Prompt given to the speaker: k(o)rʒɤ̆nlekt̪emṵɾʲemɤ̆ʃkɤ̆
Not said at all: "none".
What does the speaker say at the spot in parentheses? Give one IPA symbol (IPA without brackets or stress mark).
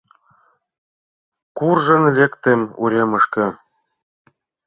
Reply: u